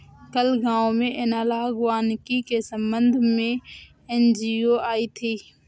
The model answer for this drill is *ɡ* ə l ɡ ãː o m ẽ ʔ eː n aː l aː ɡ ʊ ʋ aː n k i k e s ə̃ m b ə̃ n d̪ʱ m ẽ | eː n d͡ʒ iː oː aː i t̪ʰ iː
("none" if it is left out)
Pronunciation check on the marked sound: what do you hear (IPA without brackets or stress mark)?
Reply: k